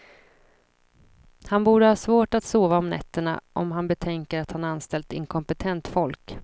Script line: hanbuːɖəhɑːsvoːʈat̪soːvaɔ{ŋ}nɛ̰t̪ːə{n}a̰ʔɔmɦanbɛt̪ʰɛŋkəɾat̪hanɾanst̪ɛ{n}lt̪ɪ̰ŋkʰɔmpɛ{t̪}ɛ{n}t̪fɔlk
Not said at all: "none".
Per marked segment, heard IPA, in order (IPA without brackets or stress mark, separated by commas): m, ɳ, none, t̪ʰ, n